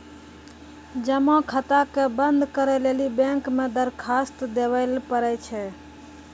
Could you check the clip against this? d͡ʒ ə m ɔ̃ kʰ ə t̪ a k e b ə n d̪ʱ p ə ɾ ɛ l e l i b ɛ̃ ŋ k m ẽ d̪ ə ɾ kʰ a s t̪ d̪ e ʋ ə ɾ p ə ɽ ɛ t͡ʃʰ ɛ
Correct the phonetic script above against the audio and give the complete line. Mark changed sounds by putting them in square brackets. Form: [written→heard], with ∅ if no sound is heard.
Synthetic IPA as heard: d͡ʒ ə m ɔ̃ kʰ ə t̪ a k e b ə n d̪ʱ [p→k] ə ɾ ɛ l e l i b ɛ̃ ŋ k m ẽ d̪ ə ɾ kʰ a s t̪ d̪ e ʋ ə [ɾ→l] p ə [ɽ→ɾ] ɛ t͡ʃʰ ɛ